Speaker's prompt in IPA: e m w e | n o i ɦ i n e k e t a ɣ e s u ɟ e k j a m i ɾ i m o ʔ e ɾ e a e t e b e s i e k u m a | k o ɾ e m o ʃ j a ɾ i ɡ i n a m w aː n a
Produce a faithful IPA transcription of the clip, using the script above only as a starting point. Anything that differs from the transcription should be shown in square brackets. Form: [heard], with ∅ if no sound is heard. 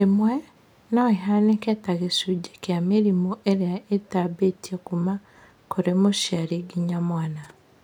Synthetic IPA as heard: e m w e | n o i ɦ [a] n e k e t a ɣ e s u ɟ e k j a m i ɾ i m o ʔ e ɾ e a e t [a] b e [t] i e k u m a | k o ɾ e m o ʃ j a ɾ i ɡ i [ɲ] a m w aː n a